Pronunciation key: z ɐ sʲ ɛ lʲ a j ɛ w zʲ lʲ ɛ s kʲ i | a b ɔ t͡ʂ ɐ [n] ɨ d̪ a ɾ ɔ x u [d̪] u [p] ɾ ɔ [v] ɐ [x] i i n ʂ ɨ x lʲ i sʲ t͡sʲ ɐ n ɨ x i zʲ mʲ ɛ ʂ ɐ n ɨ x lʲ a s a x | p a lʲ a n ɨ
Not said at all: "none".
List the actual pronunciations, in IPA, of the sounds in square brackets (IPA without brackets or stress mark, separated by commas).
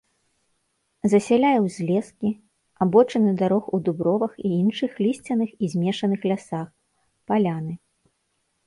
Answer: n, d̪, b, v, x